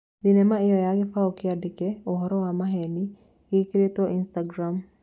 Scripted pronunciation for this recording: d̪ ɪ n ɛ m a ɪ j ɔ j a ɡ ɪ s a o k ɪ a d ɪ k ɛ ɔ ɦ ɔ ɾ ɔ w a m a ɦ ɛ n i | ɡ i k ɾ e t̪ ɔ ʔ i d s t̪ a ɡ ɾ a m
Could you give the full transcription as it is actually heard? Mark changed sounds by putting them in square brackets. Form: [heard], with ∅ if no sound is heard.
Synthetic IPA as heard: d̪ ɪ n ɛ m a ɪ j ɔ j a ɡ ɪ [f] a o k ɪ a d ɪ k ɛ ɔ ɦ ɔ ɾ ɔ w a m a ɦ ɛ n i | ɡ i k ɾ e t̪ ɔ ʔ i [n] s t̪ a ɡ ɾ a m